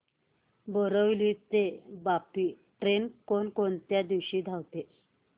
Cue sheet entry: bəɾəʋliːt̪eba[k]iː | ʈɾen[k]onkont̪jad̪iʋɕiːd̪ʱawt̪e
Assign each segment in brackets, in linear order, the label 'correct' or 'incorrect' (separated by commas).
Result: incorrect, correct